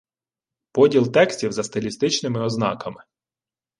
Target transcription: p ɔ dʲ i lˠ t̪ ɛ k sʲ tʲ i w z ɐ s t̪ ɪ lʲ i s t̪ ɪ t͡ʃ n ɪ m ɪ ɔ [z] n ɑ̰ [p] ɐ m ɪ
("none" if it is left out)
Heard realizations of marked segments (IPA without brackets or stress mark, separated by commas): z, k